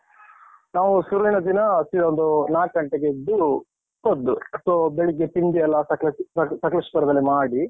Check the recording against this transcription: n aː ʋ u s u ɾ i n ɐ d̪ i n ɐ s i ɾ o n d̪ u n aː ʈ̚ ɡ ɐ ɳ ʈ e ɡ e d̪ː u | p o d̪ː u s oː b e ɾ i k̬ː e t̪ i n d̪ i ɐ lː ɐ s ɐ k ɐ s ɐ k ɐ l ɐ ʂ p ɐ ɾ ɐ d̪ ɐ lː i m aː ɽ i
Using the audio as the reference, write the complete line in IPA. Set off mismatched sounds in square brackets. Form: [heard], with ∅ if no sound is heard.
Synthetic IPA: n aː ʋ u s u ɾ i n ɐ d̪ i n ɐ s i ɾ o n d̪ u n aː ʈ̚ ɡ ɐ ɳ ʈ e ɡ e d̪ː u | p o d̪ː u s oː b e [ɭ] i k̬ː e t̪ i n d̪ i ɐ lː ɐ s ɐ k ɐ s ɐ k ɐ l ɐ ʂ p ɐ ɾ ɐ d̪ ɐ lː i m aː ɽ i